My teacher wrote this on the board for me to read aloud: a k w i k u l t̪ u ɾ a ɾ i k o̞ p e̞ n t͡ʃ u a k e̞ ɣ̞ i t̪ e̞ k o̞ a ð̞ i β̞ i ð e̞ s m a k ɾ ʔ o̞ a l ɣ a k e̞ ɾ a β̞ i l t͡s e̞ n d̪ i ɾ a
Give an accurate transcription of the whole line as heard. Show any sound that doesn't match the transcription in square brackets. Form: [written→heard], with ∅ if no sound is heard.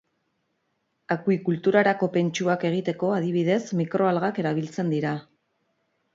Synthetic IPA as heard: a k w i k u l t̪ u ɾ a ɾ [i→a] k o̞ p e̞ n t͡ʃ u a k e̞ ɣ̞ i t̪ e̞ k o̞ a ð̞ i β̞ i ð e̞ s m [a→i] k ɾ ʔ o̞ a l ɣ a k e̞ ɾ a β̞ i l t͡s e̞ n d̪ i ɾ a